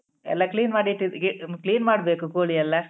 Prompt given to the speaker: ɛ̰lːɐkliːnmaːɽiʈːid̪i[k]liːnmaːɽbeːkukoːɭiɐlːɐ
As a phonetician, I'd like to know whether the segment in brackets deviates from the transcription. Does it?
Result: no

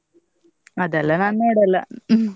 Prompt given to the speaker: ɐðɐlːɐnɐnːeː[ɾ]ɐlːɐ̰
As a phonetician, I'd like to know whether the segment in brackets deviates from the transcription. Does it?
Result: yes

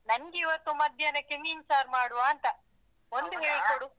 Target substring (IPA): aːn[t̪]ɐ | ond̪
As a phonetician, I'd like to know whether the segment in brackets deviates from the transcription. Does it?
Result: no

